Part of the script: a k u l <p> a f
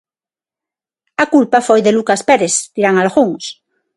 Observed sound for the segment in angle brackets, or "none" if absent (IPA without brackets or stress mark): p